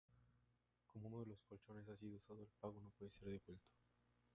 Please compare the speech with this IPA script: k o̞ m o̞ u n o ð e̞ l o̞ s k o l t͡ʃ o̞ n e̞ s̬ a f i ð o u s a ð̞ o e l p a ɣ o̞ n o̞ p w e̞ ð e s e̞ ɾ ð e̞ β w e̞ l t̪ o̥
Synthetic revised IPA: k o̞ m o̞ u n o ð e̞ l o̞ s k o l t͡ʃ o̞ n e̞ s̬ a s i ð o u s a ð̞ o e l p a ɣ o̞ n o̞ p w e̞ ð e s e̞ ɾ ð e̞ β w e̞ l t̪ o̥